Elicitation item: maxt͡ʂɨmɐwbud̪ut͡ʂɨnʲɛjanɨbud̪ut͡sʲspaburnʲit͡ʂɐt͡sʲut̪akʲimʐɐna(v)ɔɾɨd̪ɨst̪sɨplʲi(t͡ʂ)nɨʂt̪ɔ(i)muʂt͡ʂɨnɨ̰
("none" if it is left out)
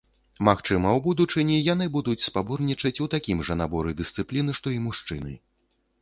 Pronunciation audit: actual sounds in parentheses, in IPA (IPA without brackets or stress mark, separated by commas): b, none, i